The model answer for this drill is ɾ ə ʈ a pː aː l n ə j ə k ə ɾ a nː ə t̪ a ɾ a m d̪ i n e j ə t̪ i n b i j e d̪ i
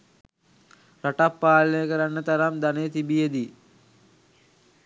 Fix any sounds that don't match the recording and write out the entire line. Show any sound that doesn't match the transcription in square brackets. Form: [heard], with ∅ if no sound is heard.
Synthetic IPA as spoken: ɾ [a] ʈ a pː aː l n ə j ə k ə ɾ a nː ə t̪ a ɾ a m d̪ [a] n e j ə t̪ i [∅] b i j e d̪ i